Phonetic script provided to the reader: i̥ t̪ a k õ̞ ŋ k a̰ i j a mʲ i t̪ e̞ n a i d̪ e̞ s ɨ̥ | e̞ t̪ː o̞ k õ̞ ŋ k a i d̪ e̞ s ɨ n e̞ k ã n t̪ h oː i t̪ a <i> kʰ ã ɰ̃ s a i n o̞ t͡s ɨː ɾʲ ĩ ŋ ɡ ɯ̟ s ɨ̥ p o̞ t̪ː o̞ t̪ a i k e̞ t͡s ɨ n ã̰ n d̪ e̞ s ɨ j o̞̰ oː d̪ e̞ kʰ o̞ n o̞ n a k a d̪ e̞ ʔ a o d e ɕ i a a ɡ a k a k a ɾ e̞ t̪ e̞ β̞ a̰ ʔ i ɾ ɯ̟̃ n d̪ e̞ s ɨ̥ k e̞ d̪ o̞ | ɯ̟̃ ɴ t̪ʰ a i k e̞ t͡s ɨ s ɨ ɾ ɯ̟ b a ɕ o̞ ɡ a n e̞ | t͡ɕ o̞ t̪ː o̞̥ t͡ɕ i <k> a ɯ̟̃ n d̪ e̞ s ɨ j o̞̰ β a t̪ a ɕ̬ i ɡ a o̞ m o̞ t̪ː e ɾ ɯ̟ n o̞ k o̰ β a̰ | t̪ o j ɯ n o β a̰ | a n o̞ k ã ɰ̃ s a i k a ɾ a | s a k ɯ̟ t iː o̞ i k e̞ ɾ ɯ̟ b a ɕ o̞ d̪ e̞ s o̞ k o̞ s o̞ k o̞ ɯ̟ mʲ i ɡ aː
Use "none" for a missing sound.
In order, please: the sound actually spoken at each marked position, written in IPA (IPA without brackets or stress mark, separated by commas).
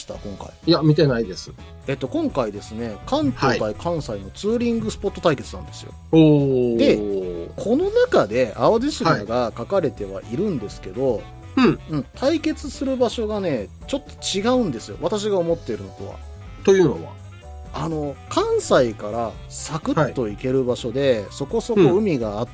i, ɡ